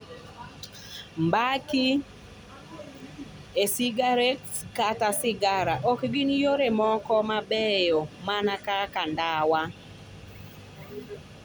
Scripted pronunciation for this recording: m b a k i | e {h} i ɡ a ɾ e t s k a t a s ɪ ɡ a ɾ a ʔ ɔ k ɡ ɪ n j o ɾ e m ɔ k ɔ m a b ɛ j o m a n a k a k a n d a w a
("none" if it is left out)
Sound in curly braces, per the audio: s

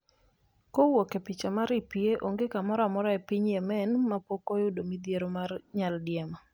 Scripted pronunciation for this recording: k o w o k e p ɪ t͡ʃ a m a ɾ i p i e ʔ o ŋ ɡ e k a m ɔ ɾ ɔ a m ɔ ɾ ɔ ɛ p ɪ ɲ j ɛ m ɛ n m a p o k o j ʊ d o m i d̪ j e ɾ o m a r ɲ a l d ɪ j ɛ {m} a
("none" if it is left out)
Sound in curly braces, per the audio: m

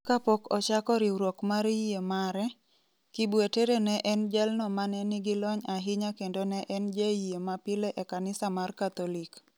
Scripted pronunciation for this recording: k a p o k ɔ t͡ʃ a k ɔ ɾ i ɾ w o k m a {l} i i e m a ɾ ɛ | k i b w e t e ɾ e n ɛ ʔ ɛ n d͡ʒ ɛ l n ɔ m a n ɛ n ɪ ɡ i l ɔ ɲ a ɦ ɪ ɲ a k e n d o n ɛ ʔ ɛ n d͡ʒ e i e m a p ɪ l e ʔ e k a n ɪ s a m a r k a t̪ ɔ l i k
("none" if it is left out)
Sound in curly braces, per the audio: ɾ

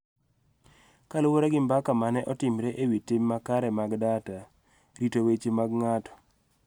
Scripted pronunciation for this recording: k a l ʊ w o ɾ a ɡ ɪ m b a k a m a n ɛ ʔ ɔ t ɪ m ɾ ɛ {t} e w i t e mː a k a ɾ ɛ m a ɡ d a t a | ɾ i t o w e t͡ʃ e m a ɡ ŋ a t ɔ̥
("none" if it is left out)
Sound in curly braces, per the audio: ʔ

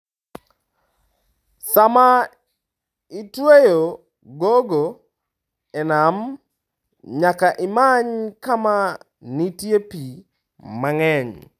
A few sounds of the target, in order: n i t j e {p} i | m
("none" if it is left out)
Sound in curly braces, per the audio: p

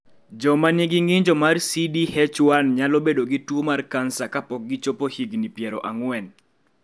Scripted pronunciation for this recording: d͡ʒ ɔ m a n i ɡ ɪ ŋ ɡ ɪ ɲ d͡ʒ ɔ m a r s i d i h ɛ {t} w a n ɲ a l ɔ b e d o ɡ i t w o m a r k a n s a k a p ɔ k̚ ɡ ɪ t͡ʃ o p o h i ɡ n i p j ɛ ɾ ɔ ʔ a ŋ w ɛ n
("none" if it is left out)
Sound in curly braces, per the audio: t͡ʃ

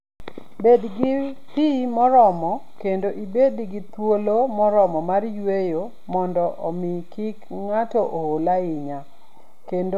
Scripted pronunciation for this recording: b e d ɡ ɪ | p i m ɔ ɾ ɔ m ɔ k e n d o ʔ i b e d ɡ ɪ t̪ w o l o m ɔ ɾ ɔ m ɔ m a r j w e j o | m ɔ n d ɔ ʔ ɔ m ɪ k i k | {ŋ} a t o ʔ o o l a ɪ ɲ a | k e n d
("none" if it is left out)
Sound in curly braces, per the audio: ŋ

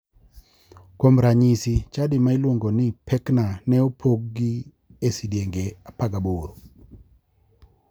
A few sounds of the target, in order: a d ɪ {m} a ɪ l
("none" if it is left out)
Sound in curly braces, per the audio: m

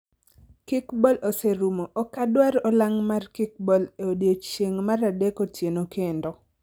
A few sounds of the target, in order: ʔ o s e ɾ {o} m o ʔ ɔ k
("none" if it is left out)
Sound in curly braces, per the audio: u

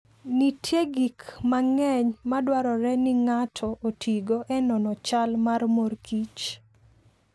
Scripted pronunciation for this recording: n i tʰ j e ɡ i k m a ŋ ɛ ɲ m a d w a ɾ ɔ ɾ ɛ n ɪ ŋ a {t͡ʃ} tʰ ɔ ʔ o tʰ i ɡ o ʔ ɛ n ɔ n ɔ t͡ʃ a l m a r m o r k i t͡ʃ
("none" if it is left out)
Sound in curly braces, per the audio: none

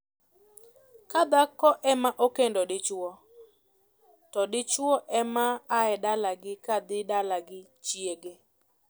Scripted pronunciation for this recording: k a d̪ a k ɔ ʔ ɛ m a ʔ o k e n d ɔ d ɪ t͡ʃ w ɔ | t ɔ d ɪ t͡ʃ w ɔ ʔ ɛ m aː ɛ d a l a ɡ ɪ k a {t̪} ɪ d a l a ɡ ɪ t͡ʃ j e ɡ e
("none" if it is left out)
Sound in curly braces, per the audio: d̪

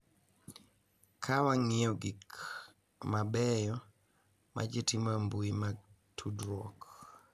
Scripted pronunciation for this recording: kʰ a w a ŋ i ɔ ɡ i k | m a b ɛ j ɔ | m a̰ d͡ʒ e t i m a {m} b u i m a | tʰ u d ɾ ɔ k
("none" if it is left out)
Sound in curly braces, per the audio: m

